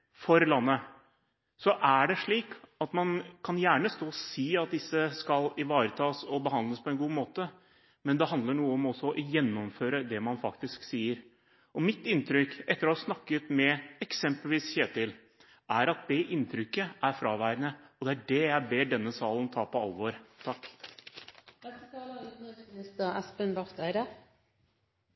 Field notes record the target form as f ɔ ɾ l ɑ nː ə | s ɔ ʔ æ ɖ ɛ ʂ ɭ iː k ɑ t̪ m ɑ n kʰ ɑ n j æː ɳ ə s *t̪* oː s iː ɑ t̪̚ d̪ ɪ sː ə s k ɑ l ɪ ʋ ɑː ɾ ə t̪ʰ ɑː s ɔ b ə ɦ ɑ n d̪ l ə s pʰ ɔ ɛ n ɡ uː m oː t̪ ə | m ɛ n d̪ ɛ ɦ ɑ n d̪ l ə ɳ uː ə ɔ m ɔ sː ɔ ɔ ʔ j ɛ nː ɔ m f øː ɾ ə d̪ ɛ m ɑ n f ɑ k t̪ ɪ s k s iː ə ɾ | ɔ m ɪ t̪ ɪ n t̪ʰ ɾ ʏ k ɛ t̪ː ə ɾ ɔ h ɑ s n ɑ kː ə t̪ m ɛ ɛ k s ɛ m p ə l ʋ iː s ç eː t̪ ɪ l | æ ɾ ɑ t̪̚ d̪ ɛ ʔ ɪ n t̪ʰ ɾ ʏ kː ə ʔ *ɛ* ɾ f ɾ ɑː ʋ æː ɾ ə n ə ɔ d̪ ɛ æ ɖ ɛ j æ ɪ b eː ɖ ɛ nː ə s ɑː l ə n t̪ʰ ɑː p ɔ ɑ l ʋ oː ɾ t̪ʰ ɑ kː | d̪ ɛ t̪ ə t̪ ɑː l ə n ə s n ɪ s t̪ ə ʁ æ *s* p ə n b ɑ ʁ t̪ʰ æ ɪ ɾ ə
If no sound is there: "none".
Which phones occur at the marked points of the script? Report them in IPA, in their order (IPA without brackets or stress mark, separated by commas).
t̪, æ, s